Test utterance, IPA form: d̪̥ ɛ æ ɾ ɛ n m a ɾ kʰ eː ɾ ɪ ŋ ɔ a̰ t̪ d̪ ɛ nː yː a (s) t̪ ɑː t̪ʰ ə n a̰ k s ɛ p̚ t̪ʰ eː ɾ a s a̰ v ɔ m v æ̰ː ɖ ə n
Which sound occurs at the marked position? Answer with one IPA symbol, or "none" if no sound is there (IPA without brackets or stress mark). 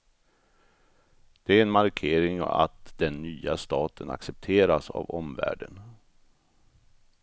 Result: s